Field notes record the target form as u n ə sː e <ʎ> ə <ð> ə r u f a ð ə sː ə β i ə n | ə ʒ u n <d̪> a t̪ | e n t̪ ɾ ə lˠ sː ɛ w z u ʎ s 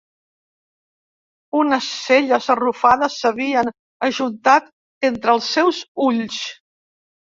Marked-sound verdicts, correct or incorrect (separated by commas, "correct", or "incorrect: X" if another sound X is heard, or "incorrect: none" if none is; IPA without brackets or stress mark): correct, incorrect: z, incorrect: t̪